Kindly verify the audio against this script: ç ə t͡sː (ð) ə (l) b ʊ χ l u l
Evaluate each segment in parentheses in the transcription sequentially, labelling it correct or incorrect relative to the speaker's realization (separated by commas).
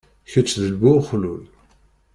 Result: correct, correct